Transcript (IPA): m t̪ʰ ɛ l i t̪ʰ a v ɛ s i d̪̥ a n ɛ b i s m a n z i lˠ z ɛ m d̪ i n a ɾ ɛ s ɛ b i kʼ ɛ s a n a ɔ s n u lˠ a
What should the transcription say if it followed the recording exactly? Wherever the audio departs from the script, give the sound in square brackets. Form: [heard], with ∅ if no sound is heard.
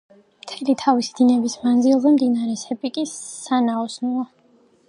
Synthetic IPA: m t̪ʰ ɛ l i t̪ʰ a v [i] s i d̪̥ [i] n ɛ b i s m a n z i lˠ z ɛ m d̪ i n a ɾ ɛ s ɛ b i kʼ [i] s a n a ɔ s n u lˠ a